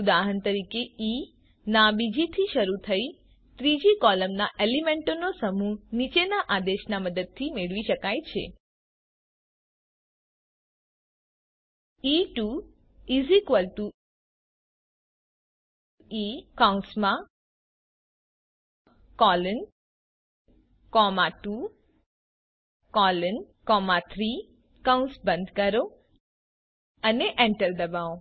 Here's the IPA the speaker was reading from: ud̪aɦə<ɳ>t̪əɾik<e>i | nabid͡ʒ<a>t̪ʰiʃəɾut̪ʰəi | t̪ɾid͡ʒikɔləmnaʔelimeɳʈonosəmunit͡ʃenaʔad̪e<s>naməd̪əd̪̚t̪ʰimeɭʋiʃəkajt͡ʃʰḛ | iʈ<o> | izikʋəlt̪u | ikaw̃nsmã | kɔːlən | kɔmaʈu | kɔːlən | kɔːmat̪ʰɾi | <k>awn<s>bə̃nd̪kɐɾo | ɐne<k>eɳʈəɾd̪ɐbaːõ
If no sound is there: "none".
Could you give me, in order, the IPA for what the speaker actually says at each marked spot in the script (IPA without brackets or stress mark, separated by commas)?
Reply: n, e, i, ʃ, u, k, s, ʔ